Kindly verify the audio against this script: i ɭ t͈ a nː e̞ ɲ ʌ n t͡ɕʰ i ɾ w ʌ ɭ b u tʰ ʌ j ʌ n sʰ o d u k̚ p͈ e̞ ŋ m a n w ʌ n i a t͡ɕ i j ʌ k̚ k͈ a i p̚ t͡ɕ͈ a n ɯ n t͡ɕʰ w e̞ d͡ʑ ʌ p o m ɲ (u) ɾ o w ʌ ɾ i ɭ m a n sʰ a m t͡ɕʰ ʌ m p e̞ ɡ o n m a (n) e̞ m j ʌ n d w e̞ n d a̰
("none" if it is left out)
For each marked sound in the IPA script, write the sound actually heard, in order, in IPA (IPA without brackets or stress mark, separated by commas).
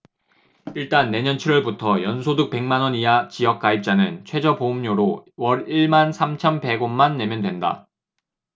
o, nː